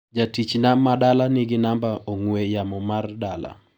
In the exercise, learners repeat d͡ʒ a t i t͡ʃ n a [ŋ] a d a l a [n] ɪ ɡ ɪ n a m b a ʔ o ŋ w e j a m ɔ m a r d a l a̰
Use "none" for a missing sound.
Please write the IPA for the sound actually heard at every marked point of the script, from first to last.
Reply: m, n

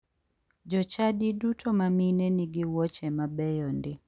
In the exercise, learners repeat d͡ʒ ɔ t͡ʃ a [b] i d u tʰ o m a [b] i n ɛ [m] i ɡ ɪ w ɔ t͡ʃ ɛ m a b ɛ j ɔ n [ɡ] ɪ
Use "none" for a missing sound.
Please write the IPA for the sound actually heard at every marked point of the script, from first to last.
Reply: d, m, n, d

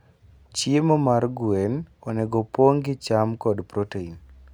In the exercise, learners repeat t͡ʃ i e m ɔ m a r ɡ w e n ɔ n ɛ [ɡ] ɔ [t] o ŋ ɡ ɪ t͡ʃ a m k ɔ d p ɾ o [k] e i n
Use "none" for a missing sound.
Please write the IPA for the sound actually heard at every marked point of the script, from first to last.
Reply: ɡ, p, t

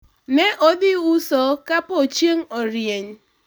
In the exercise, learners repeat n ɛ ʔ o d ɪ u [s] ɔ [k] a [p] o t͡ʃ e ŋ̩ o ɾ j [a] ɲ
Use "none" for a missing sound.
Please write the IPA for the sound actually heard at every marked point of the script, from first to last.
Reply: s, k, p, e

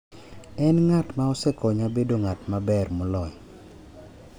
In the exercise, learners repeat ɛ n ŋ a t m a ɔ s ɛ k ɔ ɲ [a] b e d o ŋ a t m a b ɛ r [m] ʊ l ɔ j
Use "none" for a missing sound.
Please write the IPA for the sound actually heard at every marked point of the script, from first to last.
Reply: a, m

